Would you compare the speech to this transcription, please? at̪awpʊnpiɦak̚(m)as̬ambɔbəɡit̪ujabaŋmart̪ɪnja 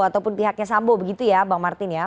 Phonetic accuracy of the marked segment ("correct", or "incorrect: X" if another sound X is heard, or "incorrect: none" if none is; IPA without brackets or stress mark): incorrect: ɲ